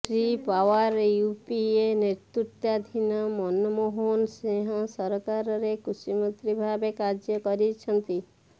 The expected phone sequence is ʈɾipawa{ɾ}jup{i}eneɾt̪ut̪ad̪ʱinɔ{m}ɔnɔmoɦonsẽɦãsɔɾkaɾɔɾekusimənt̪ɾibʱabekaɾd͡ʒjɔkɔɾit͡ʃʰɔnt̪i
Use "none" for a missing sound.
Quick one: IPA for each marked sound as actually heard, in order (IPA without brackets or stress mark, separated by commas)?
ɾ, i, m